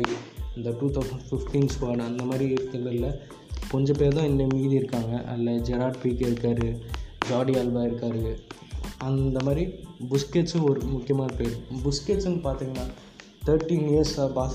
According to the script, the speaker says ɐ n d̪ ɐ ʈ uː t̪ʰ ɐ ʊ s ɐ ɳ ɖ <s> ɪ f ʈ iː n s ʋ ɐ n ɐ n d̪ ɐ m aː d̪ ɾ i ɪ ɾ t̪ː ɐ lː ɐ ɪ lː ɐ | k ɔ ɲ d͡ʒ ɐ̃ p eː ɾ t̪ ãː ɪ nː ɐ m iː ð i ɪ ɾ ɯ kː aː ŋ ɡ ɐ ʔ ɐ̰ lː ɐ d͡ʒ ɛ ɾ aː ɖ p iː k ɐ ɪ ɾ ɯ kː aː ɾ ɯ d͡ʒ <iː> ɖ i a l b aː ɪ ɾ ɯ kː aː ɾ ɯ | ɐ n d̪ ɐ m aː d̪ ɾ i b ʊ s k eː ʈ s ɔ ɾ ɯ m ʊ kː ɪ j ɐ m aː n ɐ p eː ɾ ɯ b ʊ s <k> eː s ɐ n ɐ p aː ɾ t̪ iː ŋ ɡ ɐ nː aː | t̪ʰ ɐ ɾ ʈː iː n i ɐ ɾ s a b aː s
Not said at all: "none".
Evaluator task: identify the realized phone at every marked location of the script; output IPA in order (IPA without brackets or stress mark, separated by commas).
f, aː, k